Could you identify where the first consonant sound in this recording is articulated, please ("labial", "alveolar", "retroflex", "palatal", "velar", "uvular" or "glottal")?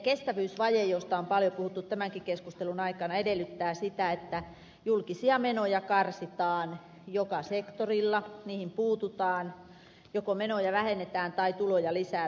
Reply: velar